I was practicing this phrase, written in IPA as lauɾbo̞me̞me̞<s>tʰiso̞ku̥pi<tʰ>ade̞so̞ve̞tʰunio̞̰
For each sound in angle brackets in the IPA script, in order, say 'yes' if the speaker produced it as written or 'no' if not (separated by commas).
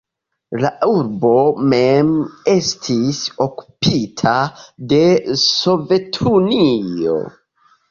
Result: yes, yes